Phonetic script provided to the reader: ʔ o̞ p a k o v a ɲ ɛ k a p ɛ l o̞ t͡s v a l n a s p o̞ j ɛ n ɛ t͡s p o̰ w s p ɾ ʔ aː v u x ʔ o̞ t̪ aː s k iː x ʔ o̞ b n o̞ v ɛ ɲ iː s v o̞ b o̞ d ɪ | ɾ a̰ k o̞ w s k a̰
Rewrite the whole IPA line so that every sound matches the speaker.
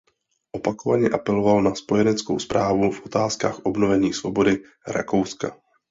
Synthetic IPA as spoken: ʔ o̞ p a k o v a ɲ ɛ ʔ a p ɛ l o̞ v a l n a s p o̞ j ɛ n ɛ t͡s k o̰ w s p ɾ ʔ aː v u f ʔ o̞ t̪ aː s k aː x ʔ o̞ b n o̞ v ɛ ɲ iː s v o̞ b o̞ d ɪ | ɾ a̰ k o̞ w s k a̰